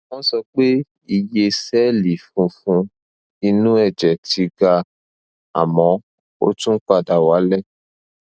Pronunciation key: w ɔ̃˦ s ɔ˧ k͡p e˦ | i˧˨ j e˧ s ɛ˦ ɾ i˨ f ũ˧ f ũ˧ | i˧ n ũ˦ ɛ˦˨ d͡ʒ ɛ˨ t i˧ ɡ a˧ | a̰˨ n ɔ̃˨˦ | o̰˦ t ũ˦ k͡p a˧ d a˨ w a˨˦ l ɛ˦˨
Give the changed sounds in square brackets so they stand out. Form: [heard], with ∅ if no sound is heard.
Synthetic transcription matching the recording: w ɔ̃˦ s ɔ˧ k͡p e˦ | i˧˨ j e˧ s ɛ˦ [l] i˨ f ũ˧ f ũ˧ | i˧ n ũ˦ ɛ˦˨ d͡ʒ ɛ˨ t i˧ ɡ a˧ | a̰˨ [m] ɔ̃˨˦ | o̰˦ t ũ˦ k͡p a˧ d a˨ w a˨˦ l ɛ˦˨